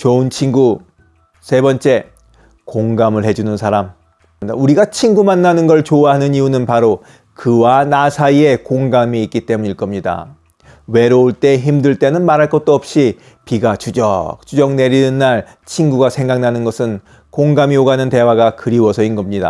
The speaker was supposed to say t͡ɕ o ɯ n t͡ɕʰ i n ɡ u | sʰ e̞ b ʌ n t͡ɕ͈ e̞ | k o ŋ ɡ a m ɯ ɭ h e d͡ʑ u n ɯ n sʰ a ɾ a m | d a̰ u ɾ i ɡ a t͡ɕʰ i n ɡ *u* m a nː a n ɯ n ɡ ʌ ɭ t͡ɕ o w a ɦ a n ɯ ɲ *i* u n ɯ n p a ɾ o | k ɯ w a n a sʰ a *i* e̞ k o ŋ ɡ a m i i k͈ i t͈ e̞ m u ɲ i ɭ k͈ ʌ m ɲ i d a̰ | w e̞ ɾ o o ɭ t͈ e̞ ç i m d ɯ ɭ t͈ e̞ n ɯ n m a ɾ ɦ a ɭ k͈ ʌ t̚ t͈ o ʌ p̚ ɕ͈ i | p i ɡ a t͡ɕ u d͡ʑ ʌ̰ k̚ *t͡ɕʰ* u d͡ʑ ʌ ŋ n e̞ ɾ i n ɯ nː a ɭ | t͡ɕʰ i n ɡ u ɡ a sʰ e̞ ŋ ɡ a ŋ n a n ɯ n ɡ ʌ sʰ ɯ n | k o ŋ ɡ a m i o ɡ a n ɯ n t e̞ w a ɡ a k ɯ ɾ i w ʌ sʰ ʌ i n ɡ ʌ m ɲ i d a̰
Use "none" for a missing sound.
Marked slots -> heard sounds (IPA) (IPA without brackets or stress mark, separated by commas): u, i, i, t͡ɕ